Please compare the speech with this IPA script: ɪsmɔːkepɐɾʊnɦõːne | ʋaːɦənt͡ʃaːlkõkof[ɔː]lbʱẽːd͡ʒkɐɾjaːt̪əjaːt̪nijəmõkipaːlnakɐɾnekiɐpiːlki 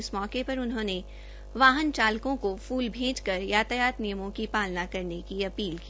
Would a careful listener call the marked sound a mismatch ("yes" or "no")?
yes